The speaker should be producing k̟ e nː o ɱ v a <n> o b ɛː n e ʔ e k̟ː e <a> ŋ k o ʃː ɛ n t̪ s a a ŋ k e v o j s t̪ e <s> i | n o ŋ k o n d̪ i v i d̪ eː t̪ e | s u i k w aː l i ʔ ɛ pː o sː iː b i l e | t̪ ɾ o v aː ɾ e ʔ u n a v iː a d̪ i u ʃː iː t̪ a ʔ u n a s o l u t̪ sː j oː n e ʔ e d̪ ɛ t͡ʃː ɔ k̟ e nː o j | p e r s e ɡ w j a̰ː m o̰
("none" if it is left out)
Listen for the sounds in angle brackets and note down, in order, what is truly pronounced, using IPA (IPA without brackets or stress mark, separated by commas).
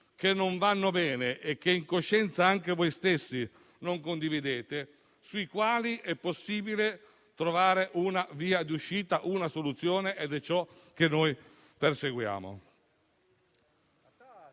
nː, i, sː